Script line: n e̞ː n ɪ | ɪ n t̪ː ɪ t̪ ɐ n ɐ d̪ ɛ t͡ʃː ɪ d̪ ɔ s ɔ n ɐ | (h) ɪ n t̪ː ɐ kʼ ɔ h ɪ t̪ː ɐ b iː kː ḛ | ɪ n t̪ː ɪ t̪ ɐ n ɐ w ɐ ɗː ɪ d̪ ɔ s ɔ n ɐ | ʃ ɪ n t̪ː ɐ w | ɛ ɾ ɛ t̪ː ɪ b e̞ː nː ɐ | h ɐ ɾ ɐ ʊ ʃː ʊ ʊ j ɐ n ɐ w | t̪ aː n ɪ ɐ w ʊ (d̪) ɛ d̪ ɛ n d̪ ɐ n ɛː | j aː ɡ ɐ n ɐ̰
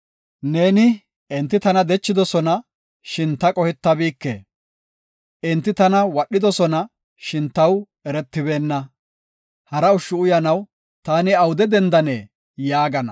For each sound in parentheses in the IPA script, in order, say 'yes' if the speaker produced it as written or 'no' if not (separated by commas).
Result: no, yes